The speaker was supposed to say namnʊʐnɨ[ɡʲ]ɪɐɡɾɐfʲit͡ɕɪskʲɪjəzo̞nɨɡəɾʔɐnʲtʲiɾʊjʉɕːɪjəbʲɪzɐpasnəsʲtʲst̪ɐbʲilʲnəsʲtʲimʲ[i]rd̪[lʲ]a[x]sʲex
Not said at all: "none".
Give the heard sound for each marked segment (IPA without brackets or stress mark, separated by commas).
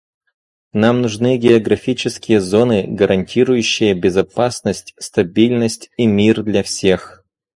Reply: ɡʲ, i, lʲ, f